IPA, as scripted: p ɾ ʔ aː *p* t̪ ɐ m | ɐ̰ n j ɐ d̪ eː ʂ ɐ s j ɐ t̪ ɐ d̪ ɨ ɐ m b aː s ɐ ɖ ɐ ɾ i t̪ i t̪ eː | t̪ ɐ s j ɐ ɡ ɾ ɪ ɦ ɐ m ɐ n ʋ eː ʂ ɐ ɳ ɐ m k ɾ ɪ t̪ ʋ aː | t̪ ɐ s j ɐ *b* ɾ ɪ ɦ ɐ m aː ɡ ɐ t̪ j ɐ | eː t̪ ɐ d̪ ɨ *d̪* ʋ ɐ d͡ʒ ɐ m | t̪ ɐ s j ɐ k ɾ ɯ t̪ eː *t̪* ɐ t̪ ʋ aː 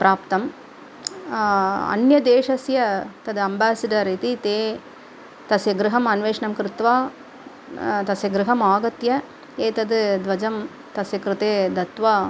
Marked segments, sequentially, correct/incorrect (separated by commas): correct, incorrect, correct, incorrect